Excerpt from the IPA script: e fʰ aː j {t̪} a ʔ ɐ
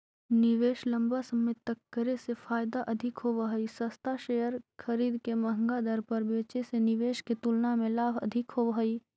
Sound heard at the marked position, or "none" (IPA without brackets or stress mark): d̪